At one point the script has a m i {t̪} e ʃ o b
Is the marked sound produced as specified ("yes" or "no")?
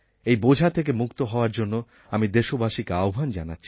no